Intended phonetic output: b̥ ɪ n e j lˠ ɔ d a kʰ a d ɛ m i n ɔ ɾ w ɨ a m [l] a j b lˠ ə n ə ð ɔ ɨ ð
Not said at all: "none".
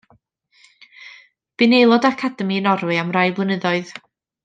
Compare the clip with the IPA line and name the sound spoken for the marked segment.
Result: r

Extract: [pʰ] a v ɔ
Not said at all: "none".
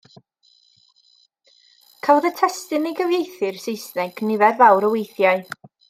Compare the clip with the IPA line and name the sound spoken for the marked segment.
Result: kʰ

